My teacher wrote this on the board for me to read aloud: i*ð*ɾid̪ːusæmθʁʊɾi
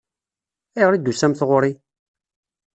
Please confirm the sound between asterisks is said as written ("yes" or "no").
no